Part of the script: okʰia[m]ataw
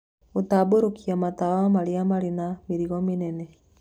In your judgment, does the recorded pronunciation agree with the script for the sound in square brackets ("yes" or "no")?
yes